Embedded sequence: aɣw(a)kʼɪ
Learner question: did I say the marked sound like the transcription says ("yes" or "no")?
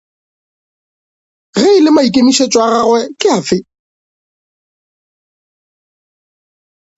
no